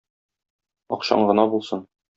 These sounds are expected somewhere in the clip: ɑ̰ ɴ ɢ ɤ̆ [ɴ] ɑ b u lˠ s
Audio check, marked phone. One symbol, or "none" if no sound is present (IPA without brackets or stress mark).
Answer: n